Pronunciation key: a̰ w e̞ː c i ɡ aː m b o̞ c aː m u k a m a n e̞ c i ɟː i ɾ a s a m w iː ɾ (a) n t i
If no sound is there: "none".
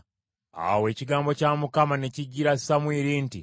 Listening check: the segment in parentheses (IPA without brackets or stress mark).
i